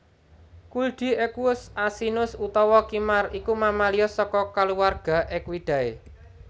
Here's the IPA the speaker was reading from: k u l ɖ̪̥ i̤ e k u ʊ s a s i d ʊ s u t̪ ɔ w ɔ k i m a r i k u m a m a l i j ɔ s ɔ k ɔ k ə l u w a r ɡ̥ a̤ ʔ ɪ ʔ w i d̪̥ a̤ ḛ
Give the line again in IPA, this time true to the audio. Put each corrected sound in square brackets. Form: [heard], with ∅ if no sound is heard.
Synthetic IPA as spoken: k u l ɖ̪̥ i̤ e k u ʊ s a s i [n] ʊ s u t̪ ɔ w ɔ k i m a r i k u m a m a l i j ɔ s ɔ k ɔ k [a] l u w a r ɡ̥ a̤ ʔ ɪ [k] w i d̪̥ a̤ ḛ